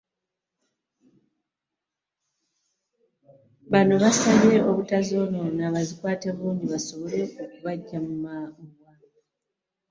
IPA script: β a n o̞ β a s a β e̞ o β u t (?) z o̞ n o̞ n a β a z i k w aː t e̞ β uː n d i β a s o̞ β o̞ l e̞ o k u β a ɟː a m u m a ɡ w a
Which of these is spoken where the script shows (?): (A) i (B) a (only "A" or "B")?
B